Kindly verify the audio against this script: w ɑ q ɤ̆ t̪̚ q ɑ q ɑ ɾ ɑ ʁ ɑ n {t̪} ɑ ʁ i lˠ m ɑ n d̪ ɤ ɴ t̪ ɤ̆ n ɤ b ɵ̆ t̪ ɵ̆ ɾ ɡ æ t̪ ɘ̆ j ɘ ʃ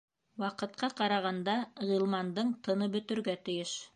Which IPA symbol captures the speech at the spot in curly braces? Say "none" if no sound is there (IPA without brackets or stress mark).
d̪